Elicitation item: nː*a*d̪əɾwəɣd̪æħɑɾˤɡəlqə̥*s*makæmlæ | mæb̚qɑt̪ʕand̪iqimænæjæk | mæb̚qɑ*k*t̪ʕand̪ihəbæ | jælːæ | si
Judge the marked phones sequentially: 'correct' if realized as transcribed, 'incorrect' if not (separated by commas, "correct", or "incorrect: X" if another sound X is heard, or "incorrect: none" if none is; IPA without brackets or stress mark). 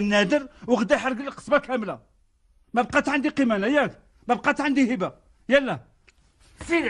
incorrect: æ, correct, incorrect: none